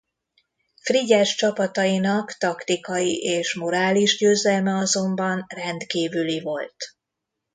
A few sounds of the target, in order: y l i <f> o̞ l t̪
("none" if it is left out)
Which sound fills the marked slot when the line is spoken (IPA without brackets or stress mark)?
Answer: v